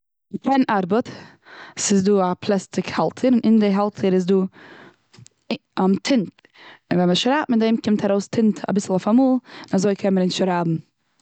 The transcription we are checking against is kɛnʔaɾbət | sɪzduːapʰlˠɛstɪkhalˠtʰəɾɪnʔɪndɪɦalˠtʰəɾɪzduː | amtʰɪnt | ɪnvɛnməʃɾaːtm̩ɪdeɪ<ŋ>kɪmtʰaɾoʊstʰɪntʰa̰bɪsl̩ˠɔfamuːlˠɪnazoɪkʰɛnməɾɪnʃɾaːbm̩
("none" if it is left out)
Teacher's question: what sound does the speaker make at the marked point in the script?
m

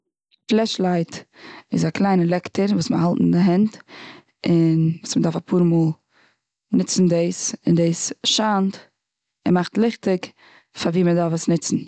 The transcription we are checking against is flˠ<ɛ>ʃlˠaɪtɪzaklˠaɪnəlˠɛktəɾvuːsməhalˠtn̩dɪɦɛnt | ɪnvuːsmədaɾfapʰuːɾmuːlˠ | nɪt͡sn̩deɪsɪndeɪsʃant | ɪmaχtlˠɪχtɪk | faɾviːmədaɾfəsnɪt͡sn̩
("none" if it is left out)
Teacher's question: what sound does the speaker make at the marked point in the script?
ɛ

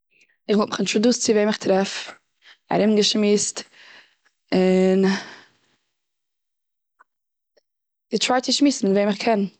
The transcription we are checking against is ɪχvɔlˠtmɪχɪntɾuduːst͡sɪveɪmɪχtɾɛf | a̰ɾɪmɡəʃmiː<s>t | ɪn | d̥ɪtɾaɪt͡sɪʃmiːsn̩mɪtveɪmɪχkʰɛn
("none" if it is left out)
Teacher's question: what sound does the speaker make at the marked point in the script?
s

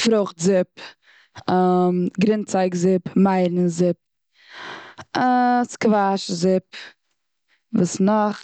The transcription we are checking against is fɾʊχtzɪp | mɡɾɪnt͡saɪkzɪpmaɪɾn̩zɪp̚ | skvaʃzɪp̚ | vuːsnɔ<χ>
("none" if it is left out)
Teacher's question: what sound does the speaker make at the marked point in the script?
χ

